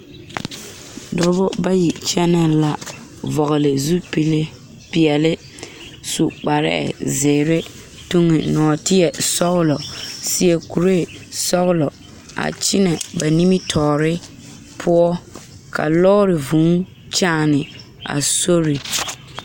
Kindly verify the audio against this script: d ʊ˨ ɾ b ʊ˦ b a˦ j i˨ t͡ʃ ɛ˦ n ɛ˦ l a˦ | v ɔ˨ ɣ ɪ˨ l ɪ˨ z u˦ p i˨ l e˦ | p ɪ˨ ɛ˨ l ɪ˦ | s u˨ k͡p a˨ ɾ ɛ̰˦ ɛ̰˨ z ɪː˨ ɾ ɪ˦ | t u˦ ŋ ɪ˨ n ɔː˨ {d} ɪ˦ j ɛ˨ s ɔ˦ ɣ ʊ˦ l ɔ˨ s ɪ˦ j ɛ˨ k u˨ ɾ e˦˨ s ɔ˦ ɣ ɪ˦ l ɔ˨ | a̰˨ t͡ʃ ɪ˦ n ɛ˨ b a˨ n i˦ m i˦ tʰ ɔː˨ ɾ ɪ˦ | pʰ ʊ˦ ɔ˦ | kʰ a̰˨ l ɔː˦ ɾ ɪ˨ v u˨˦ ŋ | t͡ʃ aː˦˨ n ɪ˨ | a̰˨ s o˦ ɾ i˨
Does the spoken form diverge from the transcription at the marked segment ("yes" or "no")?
yes